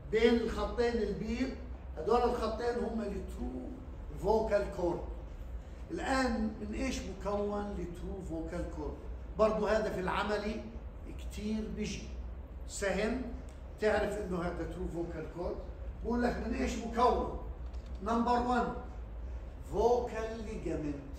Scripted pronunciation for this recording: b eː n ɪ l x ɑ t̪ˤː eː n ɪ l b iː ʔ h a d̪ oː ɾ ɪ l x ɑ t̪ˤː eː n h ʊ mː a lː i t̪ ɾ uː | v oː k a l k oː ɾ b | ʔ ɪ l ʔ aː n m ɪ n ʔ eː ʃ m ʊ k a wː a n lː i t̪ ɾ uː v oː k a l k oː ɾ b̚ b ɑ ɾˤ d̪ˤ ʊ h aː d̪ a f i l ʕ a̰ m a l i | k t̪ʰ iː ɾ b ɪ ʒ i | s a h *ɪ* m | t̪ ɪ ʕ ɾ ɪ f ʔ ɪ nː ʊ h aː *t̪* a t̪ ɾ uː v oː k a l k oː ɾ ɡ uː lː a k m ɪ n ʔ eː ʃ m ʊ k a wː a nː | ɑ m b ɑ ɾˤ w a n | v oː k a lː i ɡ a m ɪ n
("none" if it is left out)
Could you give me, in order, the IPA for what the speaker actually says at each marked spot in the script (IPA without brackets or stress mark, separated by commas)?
ɪ, d̪